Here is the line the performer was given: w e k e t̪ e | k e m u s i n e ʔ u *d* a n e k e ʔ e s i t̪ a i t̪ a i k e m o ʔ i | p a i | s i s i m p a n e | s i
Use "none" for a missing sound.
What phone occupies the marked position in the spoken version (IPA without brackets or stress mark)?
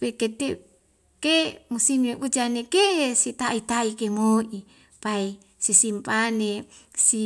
d͡ʒ